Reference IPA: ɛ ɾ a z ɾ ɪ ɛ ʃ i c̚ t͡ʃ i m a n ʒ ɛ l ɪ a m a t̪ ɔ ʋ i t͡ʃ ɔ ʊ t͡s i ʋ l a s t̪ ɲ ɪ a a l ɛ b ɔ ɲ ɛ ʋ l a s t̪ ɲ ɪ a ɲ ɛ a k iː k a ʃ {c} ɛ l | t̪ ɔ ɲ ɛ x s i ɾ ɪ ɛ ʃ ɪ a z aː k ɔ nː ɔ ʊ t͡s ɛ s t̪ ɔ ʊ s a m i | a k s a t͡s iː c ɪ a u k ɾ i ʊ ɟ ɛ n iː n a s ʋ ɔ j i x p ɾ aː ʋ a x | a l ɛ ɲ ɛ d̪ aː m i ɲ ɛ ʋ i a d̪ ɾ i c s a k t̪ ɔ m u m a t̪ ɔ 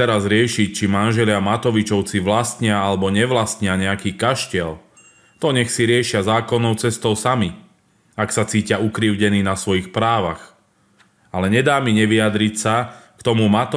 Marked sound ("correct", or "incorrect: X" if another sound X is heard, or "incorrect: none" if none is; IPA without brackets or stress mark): correct